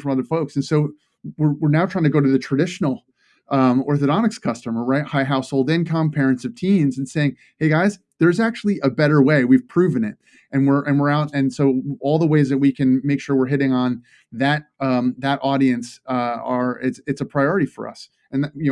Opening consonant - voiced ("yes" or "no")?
no